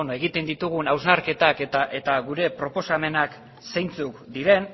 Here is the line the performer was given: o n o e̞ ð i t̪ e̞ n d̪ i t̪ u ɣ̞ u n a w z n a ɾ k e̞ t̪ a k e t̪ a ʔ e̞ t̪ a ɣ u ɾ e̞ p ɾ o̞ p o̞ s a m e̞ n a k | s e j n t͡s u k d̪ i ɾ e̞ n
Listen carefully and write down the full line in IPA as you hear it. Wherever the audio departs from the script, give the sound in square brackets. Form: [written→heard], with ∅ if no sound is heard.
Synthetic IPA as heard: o n o e̞ [ð→ɣ] i t̪ e̞ n d̪ i t̪ u ɣ̞ u n a w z n a ɾ k e̞ t̪ a k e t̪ a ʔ e̞ t̪ a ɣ u ɾ e̞ p ɾ o̞ p o̞ s a m e̞ n a k | s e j n t͡s u k d̪ i ɾ e̞ n